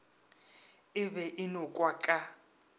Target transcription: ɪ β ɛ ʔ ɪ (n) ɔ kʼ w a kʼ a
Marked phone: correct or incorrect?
correct